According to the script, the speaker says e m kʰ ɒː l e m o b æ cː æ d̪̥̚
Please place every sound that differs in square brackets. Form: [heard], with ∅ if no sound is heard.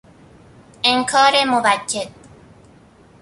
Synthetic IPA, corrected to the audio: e [ŋ] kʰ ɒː [ɾ] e m o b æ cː [e] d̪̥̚